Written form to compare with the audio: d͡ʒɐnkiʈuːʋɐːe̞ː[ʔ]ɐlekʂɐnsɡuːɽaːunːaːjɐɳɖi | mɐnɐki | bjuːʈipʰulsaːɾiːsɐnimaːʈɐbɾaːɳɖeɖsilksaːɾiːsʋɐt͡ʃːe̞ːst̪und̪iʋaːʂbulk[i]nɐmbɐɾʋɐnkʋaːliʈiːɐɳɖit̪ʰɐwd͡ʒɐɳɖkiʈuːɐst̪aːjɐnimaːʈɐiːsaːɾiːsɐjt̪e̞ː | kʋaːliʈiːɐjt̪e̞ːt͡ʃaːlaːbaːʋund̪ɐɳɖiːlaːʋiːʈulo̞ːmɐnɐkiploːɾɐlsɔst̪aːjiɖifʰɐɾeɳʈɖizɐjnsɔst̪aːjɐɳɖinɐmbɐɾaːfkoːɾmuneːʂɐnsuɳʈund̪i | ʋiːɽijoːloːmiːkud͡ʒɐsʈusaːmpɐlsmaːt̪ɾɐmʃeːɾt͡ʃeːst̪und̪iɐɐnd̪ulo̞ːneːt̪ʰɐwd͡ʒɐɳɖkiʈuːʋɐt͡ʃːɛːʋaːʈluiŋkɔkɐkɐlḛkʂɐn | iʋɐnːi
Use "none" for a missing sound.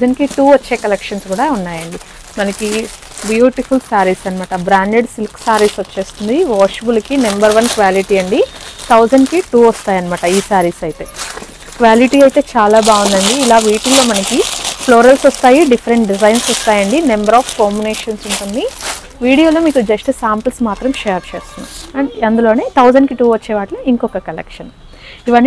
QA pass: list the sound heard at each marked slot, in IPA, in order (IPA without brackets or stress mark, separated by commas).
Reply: k, i